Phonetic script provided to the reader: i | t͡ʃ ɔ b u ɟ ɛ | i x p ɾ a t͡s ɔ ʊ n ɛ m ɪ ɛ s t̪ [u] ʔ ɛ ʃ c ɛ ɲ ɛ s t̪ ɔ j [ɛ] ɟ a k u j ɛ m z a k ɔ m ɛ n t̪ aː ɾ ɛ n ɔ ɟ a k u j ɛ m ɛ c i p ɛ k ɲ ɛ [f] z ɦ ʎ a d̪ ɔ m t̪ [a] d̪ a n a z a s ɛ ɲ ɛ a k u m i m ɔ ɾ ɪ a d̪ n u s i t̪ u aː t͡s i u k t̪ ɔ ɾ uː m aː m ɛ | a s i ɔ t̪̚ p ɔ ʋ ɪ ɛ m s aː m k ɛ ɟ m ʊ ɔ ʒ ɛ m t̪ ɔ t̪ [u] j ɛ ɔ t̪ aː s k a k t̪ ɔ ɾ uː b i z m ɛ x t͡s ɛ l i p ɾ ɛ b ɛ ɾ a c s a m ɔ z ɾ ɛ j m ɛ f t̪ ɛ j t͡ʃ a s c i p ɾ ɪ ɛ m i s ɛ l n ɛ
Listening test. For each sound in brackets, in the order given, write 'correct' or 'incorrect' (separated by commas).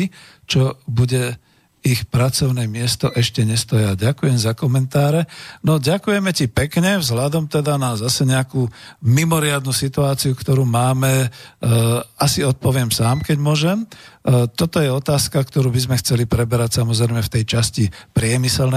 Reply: incorrect, incorrect, incorrect, incorrect, incorrect